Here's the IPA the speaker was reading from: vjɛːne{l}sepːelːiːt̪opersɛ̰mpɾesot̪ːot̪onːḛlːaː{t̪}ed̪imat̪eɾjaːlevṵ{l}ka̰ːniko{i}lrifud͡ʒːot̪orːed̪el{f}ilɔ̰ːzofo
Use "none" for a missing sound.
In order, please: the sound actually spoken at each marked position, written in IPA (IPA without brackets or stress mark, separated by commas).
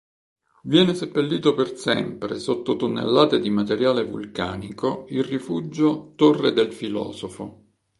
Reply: none, t̪, l, i, f